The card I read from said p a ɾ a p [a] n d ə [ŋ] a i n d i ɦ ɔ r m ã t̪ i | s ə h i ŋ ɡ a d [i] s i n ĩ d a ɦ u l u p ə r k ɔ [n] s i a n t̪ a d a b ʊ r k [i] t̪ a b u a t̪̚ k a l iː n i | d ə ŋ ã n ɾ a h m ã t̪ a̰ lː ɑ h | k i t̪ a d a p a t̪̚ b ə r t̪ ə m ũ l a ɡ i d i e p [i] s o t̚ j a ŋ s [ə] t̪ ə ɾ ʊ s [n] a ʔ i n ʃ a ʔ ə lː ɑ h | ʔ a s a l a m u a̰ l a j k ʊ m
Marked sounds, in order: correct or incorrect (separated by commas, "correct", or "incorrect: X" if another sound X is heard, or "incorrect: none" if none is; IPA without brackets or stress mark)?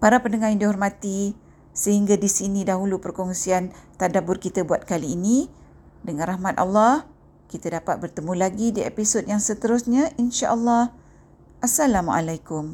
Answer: incorrect: ə, correct, correct, incorrect: ŋ, correct, correct, correct, incorrect: ɲ